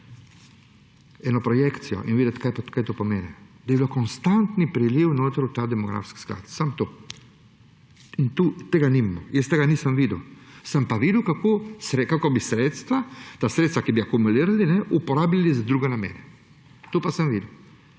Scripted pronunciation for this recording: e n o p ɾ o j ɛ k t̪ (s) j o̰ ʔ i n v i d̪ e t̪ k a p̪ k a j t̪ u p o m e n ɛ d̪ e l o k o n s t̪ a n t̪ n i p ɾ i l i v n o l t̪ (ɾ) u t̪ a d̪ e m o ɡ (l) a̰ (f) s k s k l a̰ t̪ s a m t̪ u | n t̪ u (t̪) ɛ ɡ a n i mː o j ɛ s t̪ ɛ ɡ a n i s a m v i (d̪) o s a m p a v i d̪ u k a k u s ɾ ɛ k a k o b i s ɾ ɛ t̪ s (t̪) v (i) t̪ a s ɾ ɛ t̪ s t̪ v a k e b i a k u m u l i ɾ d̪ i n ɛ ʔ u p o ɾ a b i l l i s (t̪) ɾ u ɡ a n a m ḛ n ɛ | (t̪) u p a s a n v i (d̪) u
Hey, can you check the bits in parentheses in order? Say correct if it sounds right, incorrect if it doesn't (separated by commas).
correct, correct, incorrect, correct, correct, correct, correct, incorrect, incorrect, correct, correct